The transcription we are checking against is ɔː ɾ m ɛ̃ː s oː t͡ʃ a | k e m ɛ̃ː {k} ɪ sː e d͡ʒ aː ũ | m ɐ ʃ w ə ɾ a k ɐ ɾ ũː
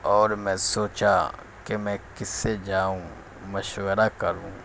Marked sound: correct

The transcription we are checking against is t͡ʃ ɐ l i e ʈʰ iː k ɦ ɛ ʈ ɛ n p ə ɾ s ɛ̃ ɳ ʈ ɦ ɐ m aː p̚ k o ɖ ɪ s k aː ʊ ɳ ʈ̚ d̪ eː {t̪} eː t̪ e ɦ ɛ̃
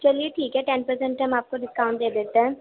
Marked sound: incorrect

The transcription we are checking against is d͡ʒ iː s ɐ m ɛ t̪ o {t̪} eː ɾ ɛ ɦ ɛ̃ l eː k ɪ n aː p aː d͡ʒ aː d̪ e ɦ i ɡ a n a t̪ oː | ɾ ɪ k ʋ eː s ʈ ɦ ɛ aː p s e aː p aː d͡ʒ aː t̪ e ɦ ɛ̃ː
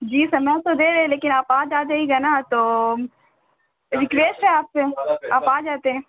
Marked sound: incorrect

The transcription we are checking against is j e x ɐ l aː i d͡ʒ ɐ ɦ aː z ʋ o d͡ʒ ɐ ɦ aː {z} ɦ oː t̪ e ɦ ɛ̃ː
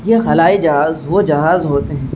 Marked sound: correct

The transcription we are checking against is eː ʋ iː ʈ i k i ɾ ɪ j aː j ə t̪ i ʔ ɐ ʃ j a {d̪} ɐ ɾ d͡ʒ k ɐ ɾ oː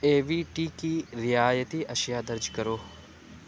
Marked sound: correct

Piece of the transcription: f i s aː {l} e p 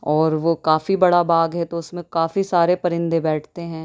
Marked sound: incorrect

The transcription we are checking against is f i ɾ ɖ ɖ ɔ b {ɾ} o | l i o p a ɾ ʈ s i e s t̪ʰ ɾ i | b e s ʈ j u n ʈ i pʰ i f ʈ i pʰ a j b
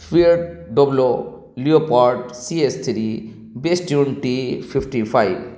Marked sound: incorrect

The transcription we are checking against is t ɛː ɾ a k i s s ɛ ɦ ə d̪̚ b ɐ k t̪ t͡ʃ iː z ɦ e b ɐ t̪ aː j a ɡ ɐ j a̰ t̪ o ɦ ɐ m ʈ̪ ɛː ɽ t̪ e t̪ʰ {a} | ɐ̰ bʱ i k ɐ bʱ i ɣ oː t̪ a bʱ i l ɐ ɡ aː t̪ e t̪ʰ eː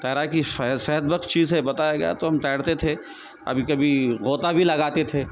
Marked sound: incorrect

